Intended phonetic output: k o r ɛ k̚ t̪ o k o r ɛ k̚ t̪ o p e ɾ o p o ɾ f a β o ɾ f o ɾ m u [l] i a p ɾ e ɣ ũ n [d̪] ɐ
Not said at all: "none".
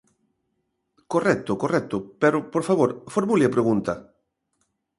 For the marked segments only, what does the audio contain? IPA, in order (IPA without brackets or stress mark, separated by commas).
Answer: l, t̪